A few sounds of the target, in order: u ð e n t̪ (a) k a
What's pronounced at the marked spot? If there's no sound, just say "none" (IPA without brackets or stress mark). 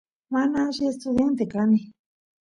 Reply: e